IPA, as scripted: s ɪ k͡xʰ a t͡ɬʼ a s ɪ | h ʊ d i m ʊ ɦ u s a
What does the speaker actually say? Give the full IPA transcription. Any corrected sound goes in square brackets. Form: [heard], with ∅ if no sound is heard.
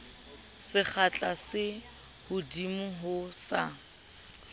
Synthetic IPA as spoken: s ɪ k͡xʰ a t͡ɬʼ a s ɪ | h ʊ d i m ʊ ɦ [ʊ] s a